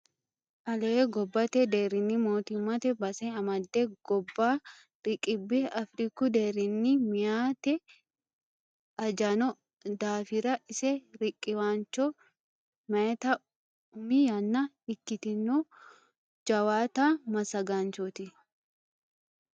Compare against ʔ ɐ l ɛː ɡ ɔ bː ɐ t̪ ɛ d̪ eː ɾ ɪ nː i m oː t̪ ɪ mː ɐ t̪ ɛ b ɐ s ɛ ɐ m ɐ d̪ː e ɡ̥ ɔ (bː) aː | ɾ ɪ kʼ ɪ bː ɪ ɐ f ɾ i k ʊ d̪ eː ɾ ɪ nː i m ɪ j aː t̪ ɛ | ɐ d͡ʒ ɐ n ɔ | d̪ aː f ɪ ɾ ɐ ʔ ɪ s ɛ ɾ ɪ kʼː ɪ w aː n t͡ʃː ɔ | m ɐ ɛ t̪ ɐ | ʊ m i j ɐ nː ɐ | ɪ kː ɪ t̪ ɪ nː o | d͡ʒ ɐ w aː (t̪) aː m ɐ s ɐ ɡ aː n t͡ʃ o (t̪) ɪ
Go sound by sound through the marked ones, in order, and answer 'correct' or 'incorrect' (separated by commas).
correct, correct, correct